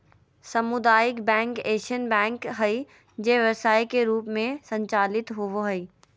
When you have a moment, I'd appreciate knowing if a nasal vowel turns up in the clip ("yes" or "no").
yes